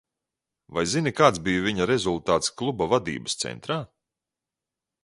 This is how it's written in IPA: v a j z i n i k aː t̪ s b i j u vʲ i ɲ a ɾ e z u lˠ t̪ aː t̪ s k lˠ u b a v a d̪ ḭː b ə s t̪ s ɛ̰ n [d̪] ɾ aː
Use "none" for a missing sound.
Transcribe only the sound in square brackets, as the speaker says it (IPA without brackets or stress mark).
t̪